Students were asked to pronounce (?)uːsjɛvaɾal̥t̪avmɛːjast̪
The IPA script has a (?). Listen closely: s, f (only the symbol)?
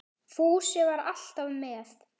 f